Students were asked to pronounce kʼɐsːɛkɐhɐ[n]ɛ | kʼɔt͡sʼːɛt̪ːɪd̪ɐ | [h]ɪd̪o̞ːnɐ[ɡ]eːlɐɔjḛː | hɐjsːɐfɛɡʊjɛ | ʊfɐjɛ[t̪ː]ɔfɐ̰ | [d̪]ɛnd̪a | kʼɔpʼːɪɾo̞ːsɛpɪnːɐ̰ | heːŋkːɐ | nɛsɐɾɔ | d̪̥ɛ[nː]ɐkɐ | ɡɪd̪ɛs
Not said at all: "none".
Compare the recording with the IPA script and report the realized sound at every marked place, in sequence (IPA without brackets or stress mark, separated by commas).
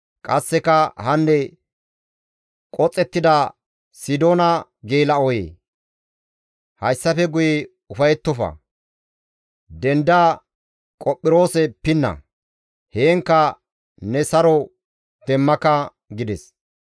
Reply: nː, s, ɡ, t̪ː, d̪, mː